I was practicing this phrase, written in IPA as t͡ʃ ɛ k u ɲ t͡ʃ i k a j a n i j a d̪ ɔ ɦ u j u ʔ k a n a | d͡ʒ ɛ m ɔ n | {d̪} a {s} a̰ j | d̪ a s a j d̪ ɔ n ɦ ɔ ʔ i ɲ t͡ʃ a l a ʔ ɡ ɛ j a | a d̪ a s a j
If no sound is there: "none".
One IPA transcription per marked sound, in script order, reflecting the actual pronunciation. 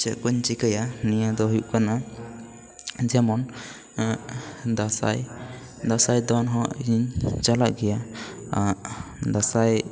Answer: d̪, s

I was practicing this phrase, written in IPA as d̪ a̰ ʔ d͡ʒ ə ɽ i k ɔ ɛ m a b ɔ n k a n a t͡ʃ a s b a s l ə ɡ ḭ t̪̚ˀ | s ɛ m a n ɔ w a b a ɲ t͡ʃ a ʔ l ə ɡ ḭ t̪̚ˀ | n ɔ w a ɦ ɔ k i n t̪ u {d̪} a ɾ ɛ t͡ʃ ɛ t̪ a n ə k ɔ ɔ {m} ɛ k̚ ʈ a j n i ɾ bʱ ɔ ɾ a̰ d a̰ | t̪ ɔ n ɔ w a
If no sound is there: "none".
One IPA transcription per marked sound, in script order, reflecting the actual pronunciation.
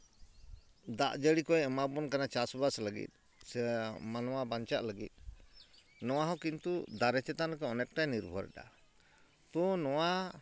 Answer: d̪, n

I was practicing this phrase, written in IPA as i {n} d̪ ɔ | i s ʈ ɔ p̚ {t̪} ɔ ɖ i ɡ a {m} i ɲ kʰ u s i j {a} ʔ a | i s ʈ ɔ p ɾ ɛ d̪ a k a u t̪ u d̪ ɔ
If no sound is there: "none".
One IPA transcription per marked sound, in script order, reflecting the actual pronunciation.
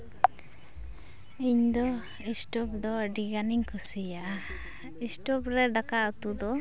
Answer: ɲ, d̪, n, a

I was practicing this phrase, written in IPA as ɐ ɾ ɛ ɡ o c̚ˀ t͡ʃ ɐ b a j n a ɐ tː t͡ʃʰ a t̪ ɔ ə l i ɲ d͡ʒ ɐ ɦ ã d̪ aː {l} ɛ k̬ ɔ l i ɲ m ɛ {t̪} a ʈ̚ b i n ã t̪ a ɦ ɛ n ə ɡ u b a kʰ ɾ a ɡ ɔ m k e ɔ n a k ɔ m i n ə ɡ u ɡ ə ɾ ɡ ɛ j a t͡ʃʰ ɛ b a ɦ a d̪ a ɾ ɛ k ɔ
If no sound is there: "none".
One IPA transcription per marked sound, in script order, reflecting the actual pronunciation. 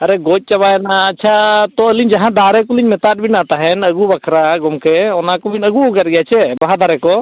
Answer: ɾ, t̪

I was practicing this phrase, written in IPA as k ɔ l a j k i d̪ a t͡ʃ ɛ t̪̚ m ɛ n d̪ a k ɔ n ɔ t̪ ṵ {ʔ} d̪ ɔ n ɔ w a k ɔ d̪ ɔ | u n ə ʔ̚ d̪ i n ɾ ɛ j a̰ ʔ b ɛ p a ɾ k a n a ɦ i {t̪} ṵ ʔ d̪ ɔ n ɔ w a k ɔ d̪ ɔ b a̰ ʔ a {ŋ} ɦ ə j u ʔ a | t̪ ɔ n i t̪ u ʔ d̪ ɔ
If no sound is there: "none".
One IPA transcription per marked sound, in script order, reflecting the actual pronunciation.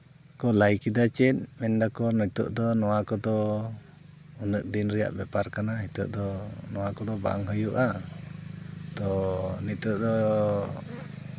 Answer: ʔ, t̪, ŋ

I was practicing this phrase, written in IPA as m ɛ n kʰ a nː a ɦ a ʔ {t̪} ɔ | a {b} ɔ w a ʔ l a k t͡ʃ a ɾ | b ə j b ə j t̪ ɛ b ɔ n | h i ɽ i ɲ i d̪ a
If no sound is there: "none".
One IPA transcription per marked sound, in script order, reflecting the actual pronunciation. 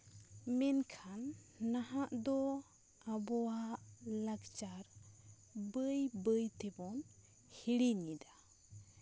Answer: d̪, b

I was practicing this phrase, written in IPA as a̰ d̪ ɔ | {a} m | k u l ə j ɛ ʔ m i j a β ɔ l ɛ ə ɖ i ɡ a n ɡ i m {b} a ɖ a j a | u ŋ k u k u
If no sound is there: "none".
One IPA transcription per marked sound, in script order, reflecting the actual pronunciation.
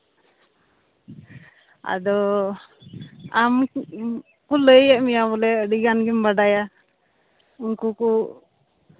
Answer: a, b

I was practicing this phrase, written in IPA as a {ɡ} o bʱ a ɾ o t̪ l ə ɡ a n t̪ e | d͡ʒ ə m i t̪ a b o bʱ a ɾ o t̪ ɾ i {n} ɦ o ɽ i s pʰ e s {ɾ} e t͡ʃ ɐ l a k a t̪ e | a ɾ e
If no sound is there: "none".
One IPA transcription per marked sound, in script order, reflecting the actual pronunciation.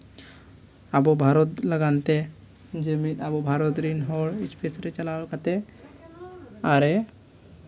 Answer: b, n, ɾ

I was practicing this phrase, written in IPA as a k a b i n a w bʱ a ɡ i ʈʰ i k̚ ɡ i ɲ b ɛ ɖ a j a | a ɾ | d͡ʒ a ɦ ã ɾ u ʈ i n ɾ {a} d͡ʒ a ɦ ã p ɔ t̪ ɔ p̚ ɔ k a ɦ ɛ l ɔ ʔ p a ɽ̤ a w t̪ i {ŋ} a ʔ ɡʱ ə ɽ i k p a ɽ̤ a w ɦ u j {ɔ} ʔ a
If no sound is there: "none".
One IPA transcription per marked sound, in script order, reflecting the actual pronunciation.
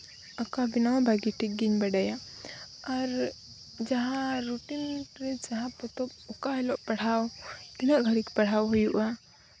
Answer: ɛ, n, u

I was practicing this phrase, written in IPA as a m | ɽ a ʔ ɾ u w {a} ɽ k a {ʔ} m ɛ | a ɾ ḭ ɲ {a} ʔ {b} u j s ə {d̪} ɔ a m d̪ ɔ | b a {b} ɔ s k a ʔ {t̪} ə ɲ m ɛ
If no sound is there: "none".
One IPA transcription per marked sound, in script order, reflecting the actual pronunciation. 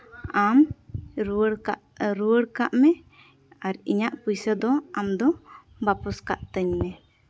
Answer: ə, ʔ, a, p, d̪, p, t̪

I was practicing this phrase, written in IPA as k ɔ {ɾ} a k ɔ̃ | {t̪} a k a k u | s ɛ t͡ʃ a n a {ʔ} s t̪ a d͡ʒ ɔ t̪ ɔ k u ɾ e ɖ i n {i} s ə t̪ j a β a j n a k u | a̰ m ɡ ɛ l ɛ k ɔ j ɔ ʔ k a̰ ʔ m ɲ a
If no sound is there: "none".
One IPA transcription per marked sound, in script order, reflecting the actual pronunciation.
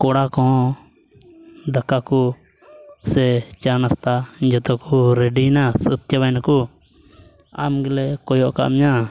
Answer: ɽ, d̪, none, a

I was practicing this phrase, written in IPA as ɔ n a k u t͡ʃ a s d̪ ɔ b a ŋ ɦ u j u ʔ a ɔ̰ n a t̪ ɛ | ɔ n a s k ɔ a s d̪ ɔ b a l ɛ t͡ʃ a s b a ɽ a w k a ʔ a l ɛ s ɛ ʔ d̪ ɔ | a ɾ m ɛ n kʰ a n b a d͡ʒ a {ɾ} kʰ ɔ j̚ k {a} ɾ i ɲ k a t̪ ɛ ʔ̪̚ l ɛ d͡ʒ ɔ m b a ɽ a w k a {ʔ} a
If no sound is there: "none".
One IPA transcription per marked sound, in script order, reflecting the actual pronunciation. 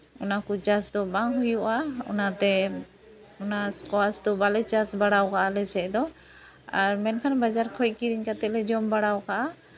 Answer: ɾ, i, ʔ

